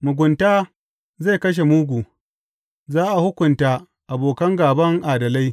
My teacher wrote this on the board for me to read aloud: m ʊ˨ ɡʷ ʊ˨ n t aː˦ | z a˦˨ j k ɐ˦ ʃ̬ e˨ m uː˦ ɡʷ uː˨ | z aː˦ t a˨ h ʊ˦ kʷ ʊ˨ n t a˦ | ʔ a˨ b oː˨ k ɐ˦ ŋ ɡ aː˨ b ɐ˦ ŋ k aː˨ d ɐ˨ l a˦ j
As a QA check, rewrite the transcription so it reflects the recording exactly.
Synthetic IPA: m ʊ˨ ɡʷ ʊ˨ n t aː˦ | z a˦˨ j k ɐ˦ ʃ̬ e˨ m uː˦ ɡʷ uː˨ | z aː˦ ʔ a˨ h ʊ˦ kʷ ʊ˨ n t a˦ | ʔ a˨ b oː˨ k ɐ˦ ŋ ɡ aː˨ b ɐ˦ ŋ ʔ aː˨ d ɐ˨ l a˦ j